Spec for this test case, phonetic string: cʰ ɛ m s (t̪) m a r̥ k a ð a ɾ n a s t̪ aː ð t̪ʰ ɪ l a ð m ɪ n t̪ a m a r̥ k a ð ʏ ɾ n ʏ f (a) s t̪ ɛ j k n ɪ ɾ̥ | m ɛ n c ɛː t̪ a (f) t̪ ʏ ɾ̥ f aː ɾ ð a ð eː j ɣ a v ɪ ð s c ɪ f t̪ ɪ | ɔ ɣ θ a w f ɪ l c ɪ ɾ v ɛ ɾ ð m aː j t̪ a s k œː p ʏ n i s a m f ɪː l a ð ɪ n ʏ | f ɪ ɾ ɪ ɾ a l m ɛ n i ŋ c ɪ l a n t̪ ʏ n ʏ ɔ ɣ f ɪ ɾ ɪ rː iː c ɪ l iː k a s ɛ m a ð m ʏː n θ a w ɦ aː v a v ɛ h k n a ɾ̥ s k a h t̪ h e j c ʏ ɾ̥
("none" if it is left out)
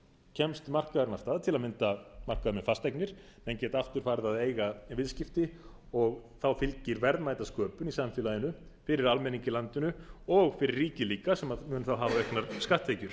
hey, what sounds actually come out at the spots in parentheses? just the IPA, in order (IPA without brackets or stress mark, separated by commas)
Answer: t̪, a, f